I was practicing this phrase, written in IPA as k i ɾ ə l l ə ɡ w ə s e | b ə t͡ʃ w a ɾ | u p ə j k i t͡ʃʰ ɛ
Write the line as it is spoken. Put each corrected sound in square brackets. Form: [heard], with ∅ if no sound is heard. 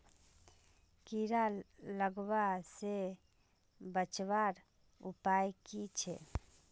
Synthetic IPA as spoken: k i ɾ [a] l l ə ɡ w [a] s e | b ə t͡ʃ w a ɾ | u p [a] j k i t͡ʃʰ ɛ